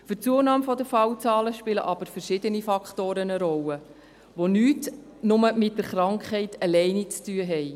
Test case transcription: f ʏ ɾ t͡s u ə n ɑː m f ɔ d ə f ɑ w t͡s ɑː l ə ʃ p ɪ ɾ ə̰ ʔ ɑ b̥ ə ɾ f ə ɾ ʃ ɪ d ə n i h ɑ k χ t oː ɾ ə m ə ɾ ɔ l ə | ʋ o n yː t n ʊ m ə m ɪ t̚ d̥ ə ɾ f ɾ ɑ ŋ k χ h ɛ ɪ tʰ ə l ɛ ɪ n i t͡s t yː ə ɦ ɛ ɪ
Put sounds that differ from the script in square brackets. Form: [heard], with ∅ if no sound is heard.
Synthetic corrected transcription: f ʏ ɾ t͡s u ə n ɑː m f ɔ d ə f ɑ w t͡s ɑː l ə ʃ p ɪ [l] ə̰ ʔ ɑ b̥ ə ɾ f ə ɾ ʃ ɪ d ə n i [f] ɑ k χ t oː ɾ ə [n] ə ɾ ɔ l ə | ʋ o n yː t n ʊ m ə m ɪ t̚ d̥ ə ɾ [χ] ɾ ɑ ŋ k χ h ɛ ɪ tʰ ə l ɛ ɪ n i t͡s t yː ə ɦ ɛ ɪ

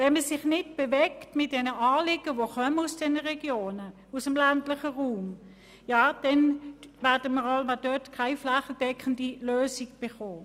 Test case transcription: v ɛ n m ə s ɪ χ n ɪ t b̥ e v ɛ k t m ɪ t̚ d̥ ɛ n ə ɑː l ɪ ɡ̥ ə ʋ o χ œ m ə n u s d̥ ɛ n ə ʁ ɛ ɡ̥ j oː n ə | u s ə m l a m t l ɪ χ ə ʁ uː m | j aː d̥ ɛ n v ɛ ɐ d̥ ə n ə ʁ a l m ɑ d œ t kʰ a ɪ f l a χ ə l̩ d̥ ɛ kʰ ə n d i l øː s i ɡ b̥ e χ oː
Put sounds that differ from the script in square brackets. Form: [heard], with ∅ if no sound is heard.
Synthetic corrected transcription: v ɛ n m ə s ɪ χ n ɪ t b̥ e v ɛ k t m ɪ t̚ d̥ ɛ n ə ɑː l ɪ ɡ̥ ə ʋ o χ œ m ə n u s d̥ ɛ n ə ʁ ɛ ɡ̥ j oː n ə | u s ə m l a [n] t l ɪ χ ə ʁ uː m | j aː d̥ ɛ n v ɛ ɐ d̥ ə [m] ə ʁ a l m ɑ d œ t kʰ a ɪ f l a χ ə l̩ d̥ ɛ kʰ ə n d i l øː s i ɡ b̥ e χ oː

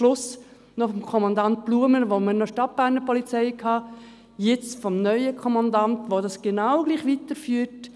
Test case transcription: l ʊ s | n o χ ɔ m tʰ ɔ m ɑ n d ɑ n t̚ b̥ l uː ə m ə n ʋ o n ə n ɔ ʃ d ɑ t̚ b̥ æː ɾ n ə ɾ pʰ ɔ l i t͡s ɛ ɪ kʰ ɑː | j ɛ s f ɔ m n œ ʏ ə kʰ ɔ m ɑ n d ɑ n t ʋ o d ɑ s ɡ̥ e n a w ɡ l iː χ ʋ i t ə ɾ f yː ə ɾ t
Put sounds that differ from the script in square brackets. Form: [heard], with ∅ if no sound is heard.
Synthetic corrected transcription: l ʊ s | n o [f] ɔ m [kʰ] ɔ m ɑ n d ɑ n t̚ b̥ l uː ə m ə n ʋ o [m] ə n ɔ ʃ [t] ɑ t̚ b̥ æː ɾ n ə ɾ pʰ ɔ l i t͡s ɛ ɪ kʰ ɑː | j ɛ [t͡s] f ɔ m n œ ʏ ə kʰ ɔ m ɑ n d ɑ n t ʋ o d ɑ s ɡ̥ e n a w ɡ l iː χ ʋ i t ə ɾ f yː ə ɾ t

